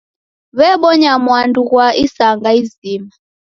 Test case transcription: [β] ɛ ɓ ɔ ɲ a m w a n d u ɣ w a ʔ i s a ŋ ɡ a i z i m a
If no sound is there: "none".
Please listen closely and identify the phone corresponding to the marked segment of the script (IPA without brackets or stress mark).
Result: β